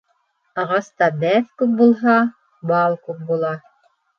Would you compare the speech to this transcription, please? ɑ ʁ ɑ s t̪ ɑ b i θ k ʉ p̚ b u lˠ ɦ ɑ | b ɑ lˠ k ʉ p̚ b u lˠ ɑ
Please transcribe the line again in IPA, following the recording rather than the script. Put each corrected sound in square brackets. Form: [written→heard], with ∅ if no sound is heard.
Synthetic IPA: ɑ ʁ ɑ s t̪ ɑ b [i→æ] θ k ʉ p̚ b u lˠ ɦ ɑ | b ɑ lˠ k ʉ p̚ b u lˠ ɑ